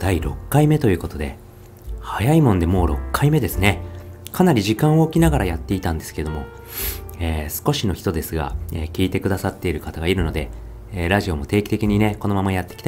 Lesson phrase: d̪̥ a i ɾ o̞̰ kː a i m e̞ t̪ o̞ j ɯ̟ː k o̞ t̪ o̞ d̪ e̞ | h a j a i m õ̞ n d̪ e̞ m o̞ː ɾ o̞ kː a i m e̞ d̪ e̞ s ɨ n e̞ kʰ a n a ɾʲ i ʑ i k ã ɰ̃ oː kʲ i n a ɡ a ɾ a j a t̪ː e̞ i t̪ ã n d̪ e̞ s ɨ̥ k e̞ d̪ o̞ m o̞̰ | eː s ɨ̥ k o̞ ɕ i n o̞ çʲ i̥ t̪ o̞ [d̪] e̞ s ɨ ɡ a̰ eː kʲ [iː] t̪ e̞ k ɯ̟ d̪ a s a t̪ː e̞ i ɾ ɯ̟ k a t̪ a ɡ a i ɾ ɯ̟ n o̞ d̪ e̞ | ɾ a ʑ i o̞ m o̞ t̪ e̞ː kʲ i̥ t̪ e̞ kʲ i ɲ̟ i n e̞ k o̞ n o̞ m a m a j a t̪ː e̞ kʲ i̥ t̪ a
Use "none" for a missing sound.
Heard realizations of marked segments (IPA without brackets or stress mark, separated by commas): d̪, iː